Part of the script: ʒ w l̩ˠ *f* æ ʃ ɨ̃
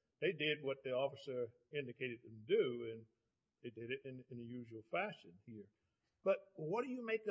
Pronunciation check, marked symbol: correct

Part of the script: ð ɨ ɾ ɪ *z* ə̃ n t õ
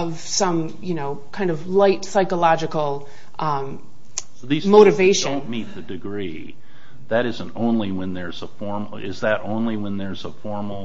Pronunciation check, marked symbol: correct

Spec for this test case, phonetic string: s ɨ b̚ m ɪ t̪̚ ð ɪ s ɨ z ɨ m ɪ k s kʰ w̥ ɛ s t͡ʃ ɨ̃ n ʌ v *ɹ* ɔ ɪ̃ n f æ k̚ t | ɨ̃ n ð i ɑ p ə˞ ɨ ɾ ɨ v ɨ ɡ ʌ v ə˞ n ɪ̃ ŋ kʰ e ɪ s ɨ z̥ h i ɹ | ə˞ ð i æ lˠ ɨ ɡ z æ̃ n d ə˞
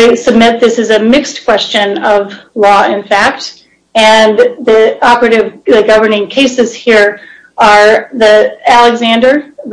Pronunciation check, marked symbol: incorrect: l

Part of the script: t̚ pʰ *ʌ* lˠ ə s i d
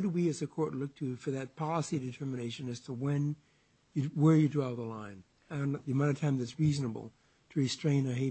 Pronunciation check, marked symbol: incorrect: ɑ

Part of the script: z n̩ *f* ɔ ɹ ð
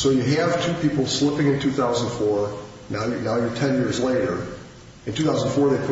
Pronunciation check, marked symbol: correct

